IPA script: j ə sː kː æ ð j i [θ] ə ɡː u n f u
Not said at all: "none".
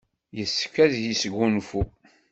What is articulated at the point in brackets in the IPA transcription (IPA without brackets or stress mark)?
s